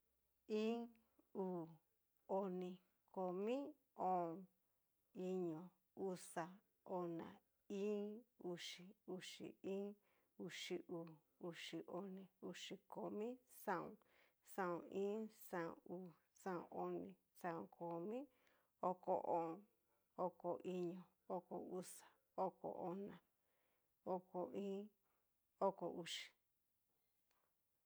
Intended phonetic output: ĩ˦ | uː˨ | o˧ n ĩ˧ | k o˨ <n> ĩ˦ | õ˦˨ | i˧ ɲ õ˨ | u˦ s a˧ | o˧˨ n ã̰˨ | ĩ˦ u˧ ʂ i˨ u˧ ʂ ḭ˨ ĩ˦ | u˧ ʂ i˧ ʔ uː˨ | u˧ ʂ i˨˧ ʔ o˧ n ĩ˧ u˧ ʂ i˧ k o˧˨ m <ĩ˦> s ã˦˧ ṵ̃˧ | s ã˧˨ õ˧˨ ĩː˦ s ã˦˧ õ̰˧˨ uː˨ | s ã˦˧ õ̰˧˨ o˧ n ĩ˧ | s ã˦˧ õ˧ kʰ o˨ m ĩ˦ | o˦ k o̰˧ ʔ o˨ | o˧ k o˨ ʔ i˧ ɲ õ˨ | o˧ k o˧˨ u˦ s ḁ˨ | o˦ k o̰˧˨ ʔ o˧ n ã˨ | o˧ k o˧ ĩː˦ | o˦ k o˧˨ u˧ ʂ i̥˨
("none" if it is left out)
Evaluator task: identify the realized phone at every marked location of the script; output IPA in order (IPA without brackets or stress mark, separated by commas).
m, ĩ˦